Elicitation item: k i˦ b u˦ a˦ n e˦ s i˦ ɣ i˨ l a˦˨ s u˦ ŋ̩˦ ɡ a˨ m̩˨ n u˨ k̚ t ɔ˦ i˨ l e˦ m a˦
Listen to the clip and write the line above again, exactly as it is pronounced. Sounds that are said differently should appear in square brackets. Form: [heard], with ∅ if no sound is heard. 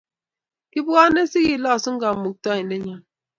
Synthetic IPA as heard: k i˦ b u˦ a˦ n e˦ s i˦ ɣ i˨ l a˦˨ s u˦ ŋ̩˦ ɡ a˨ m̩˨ [m] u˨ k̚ t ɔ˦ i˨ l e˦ [ɲ] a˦